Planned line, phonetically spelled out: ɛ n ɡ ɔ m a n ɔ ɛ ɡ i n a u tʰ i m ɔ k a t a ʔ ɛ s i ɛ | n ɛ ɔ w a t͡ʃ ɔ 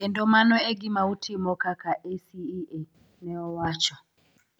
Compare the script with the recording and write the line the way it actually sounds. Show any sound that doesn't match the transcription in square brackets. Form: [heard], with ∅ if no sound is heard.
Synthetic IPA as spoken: ɛ n [d] ɔ m a n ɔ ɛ ɡ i [m] a u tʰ i m ɔ k a [k] a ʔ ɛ s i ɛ | n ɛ ɔ w a t͡ʃ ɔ